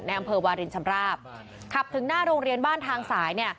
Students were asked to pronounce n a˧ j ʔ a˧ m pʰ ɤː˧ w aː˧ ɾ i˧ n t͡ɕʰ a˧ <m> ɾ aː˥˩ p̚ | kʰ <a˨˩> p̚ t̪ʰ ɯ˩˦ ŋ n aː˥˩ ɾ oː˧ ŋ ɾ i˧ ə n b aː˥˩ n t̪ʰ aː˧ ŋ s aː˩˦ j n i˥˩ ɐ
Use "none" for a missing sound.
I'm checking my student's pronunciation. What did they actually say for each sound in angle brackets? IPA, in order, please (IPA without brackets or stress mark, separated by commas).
m, a˨˩